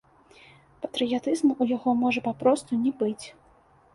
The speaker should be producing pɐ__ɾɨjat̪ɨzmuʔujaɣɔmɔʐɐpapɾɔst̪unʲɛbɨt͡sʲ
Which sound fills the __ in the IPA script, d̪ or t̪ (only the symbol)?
t̪